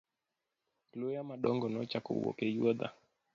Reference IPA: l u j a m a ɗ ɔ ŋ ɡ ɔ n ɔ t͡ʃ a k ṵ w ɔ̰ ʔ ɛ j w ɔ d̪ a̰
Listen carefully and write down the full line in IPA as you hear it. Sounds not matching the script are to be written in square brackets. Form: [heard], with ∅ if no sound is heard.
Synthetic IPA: l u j a m a ɗ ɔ ŋ ɡ ɔ n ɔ t͡ʃ a k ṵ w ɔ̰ [k] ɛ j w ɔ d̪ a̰